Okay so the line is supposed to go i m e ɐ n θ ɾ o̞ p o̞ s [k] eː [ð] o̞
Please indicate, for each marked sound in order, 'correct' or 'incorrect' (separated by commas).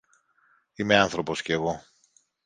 incorrect, incorrect